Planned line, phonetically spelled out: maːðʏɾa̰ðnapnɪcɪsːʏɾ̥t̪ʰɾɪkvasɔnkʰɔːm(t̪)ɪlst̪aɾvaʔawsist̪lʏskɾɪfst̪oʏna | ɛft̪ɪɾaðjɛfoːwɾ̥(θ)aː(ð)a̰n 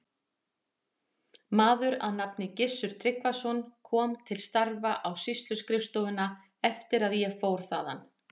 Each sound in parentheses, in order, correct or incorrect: incorrect, correct, correct

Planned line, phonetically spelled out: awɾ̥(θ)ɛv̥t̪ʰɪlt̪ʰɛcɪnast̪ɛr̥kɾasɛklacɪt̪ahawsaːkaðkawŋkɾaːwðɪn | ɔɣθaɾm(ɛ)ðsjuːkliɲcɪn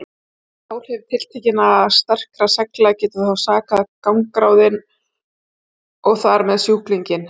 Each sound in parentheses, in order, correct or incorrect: incorrect, correct

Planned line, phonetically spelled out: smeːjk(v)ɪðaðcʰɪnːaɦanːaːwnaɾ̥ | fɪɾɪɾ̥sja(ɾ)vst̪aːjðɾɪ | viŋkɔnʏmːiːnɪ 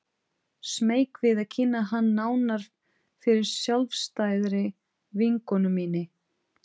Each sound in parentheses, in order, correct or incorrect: correct, incorrect

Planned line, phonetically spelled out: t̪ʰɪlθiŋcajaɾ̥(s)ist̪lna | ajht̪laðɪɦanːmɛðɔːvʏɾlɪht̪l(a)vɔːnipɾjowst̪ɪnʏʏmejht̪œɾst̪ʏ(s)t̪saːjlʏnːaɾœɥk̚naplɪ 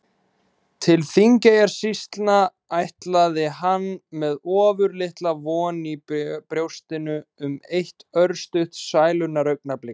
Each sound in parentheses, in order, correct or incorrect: correct, correct, incorrect

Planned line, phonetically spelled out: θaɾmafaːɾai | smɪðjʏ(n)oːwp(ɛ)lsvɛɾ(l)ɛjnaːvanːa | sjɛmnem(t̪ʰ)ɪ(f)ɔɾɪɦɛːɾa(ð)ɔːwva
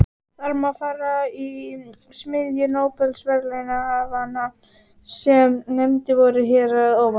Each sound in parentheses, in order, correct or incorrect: correct, correct, correct, incorrect, incorrect, correct

